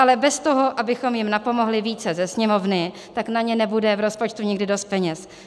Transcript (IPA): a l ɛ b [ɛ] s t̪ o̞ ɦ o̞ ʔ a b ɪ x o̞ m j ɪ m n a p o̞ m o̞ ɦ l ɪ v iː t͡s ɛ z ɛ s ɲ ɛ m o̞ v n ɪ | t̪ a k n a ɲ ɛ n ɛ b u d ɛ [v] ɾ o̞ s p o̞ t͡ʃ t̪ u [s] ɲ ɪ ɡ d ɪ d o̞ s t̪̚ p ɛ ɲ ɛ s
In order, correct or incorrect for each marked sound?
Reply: correct, correct, incorrect

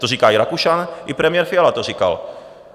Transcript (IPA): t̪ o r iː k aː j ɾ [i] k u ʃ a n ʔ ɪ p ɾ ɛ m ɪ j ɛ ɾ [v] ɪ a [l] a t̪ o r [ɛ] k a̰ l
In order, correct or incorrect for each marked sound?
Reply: incorrect, incorrect, correct, incorrect

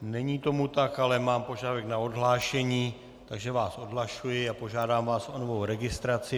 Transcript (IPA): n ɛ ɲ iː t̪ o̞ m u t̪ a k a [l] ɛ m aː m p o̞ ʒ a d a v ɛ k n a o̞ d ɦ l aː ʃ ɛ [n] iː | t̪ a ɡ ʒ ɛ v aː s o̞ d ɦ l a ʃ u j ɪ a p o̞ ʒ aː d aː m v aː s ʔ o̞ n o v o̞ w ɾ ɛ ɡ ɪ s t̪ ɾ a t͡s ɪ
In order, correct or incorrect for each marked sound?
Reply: correct, incorrect

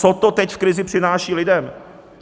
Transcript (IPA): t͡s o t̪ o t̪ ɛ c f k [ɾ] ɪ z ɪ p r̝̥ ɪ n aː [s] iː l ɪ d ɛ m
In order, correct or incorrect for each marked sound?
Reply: correct, incorrect

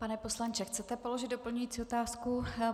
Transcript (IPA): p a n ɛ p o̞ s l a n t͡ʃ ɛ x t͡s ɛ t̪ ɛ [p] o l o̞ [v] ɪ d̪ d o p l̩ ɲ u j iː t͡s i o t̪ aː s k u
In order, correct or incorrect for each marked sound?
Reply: correct, incorrect

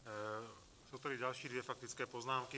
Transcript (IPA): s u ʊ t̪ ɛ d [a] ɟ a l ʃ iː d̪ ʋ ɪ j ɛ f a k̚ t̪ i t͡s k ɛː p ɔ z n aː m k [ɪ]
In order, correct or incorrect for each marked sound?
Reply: incorrect, incorrect

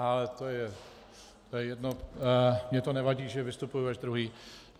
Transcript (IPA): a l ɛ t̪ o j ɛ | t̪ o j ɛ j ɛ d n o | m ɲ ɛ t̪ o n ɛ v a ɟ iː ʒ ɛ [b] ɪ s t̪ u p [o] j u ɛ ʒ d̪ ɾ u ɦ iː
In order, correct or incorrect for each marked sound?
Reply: incorrect, incorrect

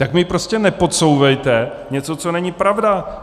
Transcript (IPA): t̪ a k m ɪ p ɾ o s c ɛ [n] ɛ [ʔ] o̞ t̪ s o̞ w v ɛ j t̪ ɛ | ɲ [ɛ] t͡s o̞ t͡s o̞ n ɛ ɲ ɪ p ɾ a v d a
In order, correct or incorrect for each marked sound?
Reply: correct, incorrect, correct

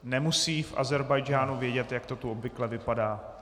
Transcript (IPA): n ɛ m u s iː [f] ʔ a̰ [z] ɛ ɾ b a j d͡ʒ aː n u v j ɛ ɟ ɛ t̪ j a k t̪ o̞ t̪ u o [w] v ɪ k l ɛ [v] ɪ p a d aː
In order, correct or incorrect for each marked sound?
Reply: correct, correct, incorrect, correct

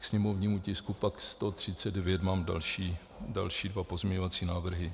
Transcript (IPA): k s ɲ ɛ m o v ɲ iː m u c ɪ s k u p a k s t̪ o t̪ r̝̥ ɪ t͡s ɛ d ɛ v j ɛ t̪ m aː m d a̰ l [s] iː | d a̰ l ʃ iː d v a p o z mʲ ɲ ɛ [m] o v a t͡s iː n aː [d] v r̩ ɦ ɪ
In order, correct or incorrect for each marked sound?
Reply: incorrect, incorrect, incorrect

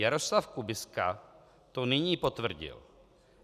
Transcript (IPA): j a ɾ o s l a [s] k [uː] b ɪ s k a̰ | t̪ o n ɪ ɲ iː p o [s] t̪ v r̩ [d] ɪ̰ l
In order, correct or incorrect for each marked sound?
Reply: incorrect, incorrect, incorrect, incorrect

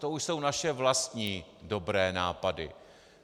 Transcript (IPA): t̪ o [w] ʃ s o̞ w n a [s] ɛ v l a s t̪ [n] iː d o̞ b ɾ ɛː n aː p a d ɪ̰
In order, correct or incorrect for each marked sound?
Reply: incorrect, incorrect, incorrect

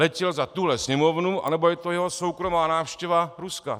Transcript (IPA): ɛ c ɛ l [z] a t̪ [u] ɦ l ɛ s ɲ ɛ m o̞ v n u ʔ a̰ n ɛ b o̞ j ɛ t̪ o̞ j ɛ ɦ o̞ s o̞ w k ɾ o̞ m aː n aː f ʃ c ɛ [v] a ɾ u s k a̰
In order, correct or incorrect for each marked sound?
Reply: correct, correct, correct

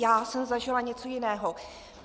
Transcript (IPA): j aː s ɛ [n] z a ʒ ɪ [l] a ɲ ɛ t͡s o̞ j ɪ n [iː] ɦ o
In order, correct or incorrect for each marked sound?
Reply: incorrect, correct, incorrect

